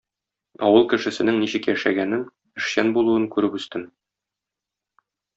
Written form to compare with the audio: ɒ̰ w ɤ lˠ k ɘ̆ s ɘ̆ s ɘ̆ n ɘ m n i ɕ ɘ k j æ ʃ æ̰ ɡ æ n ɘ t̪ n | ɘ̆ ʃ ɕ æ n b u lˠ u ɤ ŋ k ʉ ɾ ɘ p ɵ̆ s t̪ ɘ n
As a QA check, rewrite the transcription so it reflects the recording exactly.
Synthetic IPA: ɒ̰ w ɤ lˠ k ɘ̆ ʃ ɘ̆ s ɘ̆ n ɘ ŋ n i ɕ ɘ k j æ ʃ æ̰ ɡ æ n ɘ n | ɘ̆ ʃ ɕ æ n b u lˠ u ɤ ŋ k ʉ ɾ ɘ p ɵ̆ s t̪ ɘ n